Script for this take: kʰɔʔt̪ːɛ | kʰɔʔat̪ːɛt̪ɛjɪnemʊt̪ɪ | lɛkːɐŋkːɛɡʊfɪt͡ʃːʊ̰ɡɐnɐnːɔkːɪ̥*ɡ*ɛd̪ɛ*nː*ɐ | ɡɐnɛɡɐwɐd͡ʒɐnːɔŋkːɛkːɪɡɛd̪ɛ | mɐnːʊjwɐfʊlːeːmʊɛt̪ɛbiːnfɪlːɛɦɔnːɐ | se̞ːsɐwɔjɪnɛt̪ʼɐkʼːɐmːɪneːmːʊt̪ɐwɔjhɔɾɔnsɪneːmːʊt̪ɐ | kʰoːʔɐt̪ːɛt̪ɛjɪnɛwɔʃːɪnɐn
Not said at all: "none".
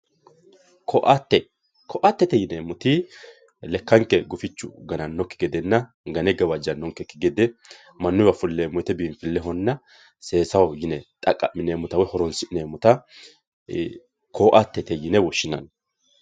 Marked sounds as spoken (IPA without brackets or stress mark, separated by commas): ɡ, nː